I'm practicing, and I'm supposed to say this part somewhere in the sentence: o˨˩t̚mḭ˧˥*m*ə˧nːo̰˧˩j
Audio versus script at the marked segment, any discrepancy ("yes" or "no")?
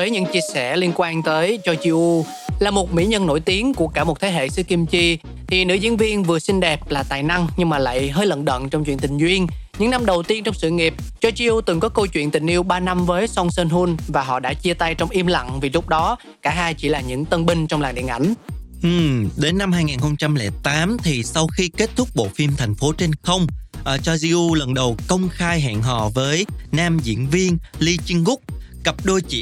yes